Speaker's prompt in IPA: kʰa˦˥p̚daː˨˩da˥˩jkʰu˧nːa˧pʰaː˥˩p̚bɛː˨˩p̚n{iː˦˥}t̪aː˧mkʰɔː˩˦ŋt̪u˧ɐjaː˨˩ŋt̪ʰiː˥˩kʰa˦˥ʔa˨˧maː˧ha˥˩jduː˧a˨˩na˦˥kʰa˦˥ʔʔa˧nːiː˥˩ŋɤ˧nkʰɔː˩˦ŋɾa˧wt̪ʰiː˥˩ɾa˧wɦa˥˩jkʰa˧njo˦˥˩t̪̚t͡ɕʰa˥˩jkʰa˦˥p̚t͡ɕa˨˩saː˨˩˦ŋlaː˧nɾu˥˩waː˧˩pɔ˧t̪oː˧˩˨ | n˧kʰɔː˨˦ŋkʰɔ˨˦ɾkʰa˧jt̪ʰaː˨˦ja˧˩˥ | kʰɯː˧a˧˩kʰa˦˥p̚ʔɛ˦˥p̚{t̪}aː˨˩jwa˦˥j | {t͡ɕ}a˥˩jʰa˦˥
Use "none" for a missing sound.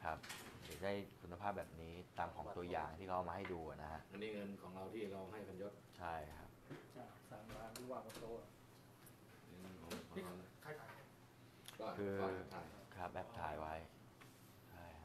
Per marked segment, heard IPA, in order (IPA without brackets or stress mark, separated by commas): iː˦˥, t̪ʰ, t͡ɕʰ